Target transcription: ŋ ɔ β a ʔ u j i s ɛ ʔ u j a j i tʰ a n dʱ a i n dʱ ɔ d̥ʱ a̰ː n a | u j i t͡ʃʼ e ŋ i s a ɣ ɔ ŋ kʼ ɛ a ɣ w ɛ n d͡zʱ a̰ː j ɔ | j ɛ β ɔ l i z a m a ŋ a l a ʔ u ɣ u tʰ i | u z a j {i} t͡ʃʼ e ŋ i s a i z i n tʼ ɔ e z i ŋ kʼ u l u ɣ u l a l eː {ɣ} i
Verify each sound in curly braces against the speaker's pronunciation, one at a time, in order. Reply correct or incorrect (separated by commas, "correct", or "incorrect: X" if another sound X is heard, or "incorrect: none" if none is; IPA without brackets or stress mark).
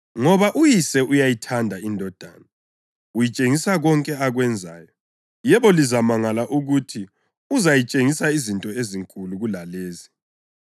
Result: correct, incorrect: z